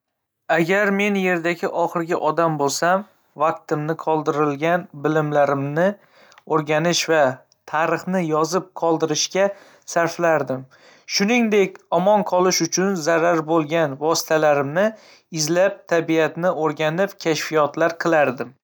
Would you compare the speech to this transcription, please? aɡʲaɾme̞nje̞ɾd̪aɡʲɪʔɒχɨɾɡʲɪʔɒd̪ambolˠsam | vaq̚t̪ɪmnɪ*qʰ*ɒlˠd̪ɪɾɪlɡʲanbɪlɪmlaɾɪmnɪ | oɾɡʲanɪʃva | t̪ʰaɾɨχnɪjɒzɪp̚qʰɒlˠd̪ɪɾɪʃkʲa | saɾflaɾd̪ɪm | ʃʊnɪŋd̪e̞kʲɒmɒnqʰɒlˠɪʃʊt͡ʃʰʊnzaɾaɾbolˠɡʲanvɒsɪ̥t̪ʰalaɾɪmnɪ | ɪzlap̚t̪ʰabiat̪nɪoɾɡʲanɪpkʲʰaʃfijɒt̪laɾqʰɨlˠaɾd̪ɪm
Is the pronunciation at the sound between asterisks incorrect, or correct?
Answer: correct